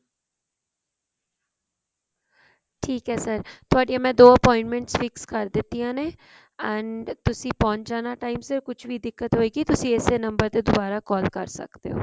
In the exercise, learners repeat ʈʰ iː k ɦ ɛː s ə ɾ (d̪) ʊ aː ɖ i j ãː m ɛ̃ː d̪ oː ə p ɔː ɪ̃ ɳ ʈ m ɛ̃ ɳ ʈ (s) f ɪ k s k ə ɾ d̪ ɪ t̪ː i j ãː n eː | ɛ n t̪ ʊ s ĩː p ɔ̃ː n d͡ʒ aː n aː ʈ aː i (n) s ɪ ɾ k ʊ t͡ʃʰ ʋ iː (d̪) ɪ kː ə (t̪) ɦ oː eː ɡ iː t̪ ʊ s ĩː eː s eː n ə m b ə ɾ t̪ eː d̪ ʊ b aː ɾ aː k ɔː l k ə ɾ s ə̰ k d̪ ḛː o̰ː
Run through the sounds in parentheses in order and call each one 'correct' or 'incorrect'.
incorrect: t̪, correct, incorrect: m, correct, correct

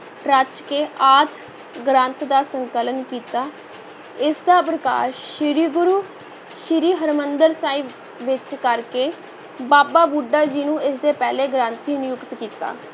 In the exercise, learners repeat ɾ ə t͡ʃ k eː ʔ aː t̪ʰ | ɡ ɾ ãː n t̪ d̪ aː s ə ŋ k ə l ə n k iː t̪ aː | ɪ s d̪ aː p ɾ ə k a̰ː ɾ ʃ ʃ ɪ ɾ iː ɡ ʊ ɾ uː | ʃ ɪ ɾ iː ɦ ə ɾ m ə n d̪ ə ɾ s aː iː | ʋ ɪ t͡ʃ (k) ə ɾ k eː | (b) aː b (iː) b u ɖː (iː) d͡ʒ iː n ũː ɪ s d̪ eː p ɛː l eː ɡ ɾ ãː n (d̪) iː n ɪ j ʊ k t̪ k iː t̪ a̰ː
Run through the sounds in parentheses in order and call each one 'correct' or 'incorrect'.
correct, correct, incorrect: aː, incorrect: aː, incorrect: t̪

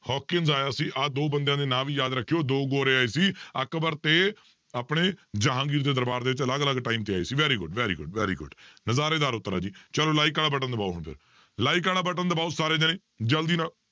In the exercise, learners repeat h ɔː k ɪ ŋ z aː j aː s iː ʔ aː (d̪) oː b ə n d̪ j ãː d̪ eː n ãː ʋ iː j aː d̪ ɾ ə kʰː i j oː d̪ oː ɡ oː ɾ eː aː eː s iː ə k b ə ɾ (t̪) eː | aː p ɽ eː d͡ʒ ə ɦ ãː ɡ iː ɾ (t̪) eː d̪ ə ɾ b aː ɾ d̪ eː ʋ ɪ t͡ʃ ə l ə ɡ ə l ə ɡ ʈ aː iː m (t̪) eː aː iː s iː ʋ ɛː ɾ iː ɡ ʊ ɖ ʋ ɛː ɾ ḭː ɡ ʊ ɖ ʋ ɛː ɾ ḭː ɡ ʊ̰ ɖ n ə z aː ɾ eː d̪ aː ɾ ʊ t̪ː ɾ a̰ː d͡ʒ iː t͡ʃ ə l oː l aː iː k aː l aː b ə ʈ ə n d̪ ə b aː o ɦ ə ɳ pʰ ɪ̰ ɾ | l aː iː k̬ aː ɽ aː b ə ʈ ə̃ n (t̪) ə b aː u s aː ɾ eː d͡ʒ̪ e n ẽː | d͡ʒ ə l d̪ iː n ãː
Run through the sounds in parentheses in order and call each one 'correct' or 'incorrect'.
correct, correct, incorrect: d̪, correct, incorrect: d̪

